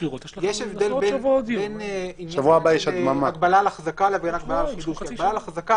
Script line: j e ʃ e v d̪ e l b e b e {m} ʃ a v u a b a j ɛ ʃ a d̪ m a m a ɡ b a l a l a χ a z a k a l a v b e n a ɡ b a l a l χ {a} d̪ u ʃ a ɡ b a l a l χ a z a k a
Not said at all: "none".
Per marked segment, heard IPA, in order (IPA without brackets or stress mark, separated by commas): n, i